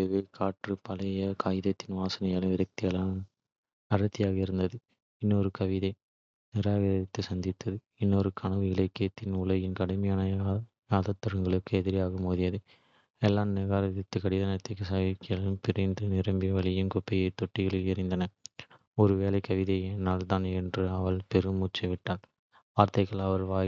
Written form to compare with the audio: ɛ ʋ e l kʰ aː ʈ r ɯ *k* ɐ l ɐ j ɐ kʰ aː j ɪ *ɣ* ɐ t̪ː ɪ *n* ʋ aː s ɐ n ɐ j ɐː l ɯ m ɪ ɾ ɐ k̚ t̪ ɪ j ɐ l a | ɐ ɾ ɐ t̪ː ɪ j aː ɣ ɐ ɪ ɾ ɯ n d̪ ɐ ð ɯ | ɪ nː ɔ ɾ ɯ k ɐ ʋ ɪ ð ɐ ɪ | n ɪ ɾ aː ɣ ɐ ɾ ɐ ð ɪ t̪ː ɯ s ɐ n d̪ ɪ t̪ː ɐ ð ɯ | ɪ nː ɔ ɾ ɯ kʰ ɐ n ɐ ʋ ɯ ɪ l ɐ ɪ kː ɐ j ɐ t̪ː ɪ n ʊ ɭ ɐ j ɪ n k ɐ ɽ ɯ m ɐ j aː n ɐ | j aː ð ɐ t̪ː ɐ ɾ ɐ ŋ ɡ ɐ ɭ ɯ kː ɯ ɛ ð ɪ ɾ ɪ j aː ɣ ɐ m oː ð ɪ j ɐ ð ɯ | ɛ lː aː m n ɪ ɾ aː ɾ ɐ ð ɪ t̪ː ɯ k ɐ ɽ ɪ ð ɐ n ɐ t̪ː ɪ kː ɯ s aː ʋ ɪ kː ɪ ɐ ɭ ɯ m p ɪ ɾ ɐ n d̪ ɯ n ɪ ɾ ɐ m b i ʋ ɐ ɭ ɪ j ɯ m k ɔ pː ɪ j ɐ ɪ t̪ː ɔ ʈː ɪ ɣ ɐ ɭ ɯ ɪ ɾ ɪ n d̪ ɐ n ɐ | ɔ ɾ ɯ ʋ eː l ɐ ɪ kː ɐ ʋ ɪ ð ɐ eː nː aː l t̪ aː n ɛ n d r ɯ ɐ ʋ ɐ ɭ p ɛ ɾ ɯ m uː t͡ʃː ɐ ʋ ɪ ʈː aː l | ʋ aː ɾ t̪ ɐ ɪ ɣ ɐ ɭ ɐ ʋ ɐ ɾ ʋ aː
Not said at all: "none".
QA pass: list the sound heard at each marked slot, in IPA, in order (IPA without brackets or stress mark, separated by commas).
p, ð, n